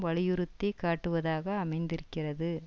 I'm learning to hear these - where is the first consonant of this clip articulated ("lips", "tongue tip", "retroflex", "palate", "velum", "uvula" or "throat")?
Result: lips